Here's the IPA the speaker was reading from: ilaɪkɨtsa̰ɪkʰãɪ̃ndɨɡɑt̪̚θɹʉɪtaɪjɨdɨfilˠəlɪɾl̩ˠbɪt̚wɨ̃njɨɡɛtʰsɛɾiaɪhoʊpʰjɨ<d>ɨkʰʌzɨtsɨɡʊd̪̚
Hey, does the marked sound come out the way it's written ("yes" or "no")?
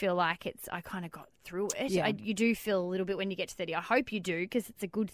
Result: yes